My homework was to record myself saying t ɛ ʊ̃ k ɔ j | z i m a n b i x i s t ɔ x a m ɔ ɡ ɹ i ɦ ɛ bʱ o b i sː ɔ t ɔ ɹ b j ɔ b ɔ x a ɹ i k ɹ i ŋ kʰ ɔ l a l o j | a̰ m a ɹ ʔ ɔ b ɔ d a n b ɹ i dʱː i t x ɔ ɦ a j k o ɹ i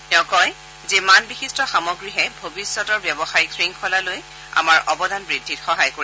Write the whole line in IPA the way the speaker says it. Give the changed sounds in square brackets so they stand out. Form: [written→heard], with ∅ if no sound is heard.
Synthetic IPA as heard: t ɛ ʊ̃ k ɔ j | z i m a n b i x i s t ɔ x a m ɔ ɡ ɹ i ɦ ɛ bʱ o b i sː ɔ t ɔ ɹ b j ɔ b ɔ x a ɹ i k ɹ i ŋ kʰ ɔ l a l o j | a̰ m a ɹ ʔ ɔ b ɔ d a n b ɹ i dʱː i t x ɔ ɦ a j k o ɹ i